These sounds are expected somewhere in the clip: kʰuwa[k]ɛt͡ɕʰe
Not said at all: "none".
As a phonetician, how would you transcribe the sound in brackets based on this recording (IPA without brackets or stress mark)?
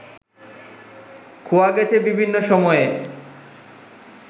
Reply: ɡ